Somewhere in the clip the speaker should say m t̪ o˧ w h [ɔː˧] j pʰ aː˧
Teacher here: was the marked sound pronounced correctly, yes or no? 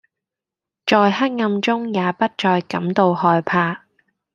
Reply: yes